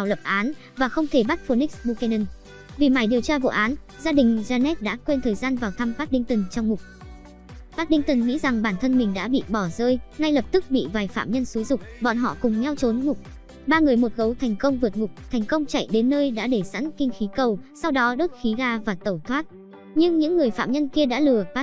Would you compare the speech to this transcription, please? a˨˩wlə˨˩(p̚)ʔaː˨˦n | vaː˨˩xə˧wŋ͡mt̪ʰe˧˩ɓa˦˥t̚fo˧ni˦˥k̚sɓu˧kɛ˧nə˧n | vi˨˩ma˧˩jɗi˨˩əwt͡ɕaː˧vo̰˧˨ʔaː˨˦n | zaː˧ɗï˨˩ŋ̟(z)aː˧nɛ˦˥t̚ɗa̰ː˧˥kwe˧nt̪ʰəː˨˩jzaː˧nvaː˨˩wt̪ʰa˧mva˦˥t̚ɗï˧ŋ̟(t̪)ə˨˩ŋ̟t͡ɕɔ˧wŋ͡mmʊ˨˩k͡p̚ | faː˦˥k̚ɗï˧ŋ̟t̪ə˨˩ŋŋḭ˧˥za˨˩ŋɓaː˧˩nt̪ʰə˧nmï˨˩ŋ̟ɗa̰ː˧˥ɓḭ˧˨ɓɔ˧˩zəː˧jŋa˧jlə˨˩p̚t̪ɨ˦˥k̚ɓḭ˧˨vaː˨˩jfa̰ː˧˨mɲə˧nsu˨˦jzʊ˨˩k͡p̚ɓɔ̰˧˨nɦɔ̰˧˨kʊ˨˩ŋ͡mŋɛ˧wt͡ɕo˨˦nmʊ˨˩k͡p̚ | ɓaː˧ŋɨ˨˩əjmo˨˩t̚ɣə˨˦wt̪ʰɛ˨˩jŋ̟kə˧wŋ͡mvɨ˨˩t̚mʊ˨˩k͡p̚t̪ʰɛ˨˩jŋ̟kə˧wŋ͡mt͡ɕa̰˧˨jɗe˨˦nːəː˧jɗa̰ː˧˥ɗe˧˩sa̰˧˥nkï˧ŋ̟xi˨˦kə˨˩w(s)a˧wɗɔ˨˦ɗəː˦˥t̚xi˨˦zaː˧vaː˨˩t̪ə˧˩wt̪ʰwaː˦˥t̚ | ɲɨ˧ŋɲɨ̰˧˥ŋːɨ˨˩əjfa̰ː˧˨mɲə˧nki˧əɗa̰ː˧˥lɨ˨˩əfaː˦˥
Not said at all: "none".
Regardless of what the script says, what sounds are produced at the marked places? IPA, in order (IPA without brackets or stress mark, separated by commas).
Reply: p̚, z, t̪, s